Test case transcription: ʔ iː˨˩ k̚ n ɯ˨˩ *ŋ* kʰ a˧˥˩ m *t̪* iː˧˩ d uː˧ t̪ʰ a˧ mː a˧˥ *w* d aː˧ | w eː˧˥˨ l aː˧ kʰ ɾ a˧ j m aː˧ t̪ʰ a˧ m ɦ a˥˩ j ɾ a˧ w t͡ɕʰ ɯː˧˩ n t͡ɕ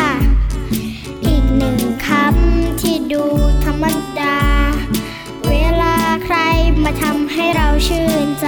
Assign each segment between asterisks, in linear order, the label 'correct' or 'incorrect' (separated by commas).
correct, incorrect, incorrect